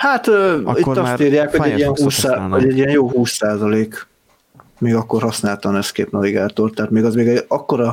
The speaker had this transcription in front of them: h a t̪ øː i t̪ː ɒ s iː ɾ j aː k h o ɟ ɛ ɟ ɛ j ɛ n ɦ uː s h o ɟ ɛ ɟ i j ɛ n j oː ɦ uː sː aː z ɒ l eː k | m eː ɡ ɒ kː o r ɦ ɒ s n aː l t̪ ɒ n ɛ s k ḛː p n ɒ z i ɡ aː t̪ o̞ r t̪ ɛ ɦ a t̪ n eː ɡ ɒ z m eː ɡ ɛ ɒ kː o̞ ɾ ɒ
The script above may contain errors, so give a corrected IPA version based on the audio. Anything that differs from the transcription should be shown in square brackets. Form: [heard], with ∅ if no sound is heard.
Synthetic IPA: h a t̪ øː i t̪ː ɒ s iː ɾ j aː k h o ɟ ɛ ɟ [i] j ɛ n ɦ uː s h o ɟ ɛ ɟ i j ɛ n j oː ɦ uː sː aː z ɒ l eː k | m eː ɡ ɒ kː o r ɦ ɒ s n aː l t̪ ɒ n ɛ s k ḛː p n ɒ [v] i ɡ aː t̪ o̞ r t̪ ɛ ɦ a t̪ [m] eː ɡ ɒ z m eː ɡ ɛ ɒ kː o̞ ɾ ɒ